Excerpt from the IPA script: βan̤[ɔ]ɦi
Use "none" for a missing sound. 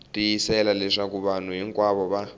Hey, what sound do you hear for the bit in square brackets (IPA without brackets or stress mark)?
u